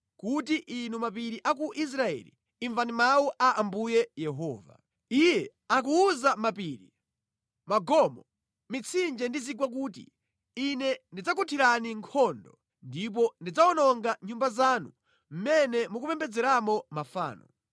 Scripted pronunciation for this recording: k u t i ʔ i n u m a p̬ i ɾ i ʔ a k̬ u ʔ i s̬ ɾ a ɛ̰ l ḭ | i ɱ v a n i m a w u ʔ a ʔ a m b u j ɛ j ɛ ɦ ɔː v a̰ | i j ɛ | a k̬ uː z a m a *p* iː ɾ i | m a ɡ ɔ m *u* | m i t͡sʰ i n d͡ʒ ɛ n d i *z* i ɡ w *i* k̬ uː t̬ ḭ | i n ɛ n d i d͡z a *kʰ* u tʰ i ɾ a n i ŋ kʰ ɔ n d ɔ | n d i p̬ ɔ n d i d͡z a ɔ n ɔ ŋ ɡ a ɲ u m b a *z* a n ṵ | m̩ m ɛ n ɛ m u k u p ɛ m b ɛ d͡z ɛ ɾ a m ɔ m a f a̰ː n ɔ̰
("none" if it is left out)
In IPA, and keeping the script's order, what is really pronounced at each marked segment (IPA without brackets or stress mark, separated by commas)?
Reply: p, ɔ, z, a, k, z